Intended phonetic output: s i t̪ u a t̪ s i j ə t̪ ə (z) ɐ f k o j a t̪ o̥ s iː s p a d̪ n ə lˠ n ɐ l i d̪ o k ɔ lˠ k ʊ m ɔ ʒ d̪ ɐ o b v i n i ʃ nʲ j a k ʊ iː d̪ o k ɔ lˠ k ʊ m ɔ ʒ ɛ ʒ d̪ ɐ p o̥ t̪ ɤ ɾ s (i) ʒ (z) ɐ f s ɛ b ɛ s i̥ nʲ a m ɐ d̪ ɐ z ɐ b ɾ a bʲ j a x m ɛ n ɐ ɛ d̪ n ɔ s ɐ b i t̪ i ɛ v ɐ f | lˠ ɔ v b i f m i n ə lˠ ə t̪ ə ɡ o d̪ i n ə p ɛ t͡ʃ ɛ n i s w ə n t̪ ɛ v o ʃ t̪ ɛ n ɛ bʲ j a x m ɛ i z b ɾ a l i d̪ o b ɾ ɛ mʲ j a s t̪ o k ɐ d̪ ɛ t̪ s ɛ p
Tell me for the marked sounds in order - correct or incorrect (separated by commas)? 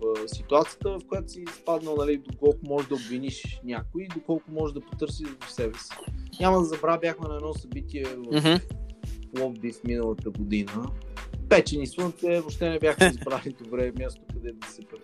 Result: incorrect, correct, incorrect